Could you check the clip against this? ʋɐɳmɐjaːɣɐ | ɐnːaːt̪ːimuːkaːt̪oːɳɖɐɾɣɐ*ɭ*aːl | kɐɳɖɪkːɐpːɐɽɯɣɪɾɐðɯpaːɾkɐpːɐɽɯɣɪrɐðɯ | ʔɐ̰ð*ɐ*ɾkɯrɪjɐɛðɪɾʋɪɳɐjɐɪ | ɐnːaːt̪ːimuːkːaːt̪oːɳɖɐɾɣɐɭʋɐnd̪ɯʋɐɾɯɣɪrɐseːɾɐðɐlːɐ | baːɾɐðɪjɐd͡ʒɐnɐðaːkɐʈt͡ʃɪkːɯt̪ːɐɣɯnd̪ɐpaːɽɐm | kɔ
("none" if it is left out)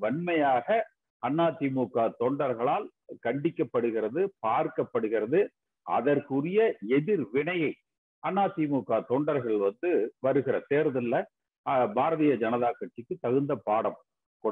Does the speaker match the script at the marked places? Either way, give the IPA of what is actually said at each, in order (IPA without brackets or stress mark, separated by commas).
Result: ɭ, ɐ